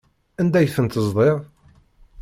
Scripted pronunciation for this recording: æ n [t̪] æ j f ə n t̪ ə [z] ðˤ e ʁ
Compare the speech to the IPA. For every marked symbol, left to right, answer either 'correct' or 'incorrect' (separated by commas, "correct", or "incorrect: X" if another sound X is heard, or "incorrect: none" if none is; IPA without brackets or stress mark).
incorrect: d̪, correct